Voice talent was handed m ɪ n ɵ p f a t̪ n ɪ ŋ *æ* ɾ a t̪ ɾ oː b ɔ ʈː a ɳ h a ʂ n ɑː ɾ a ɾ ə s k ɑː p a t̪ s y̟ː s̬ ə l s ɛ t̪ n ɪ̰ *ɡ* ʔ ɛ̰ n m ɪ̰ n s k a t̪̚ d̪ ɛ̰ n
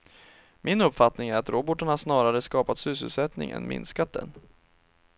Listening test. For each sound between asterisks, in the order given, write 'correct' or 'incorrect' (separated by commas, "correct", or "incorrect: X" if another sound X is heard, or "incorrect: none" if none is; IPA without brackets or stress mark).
correct, incorrect: ŋ